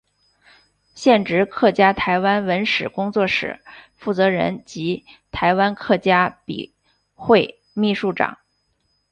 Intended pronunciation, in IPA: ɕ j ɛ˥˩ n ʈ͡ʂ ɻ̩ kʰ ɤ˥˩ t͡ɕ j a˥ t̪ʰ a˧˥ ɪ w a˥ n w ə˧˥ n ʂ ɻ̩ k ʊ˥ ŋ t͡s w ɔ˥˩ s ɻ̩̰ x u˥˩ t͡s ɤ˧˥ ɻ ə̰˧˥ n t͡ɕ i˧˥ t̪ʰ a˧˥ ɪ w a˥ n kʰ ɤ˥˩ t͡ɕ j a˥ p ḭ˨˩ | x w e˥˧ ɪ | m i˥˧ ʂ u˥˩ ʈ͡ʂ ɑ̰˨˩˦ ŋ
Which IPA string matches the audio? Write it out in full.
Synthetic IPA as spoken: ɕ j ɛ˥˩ n ʈ͡ʂ ɻ̩ kʰ ɤ˥˩ t͡ɕ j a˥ t̪ʰ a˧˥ ɪ w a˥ n w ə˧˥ n ʂ ɻ̩ k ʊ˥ ŋ t͡s w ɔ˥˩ ʂ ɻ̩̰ f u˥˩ t͡s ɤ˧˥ ɻ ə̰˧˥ n t͡ɕ i˧˥ t̪ʰ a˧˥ ɪ w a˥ n kʰ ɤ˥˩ t͡ɕ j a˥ p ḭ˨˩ | x w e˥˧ ɪ | m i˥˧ ʂ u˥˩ ʈ͡ʂ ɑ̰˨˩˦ ŋ